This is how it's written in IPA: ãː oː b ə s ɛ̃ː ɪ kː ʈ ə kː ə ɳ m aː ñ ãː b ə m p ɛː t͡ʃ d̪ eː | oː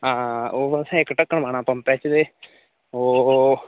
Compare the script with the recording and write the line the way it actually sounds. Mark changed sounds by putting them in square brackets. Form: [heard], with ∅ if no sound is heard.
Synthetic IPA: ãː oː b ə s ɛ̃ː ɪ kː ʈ ə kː ə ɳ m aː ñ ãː [p] ə m p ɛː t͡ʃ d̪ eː | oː